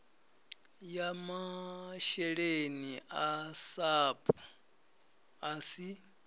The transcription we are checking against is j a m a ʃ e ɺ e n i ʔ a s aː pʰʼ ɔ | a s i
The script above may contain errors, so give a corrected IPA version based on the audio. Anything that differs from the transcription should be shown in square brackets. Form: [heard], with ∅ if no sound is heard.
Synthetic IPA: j a m a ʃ [ɛ] ɺ e n i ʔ a s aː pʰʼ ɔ | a s i